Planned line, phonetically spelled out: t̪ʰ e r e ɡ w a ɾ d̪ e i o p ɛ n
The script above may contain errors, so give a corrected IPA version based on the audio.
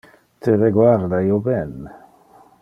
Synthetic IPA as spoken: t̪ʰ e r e ɡ w a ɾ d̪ a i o b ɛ n